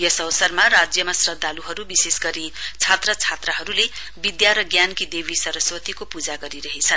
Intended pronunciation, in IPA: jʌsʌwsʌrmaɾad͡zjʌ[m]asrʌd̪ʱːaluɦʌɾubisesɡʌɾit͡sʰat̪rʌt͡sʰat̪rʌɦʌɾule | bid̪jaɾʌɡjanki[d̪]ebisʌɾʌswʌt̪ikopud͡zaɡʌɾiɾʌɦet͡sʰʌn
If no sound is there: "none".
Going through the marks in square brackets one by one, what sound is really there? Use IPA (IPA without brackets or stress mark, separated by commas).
m, d̪